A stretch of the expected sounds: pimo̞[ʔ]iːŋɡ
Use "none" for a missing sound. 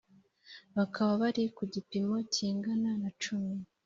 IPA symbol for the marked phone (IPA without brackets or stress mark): c